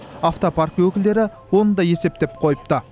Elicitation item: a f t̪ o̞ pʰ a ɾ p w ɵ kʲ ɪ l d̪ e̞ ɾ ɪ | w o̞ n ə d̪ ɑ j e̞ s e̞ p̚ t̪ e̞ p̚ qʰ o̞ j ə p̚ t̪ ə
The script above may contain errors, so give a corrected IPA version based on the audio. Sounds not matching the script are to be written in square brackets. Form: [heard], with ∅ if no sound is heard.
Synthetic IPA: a f t̪ o̞ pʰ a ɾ [k] w ɵ kʲ ɪ l d̪ e̞ ɾ ɪ | w o̞ n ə d̪ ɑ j e̞ s e̞ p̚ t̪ e̞ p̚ qʰ o̞ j ə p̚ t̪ ə